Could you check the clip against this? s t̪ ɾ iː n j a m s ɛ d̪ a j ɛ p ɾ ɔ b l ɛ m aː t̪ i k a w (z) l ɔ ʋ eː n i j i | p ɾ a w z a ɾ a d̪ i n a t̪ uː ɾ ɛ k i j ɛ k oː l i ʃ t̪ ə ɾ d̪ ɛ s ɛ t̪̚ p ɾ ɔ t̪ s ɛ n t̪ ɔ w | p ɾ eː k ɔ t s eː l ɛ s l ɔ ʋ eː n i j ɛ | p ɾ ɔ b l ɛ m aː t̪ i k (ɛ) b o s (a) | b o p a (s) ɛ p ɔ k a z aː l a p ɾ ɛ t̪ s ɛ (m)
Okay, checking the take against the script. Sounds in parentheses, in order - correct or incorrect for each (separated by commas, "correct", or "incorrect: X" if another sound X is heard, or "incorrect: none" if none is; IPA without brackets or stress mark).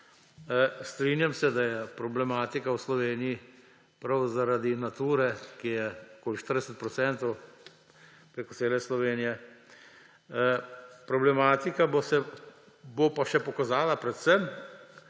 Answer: incorrect: s, incorrect: a, incorrect: ɛ, incorrect: ʃ, correct